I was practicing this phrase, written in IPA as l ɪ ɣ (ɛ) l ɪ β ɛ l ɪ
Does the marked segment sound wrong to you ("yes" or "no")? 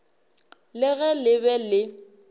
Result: no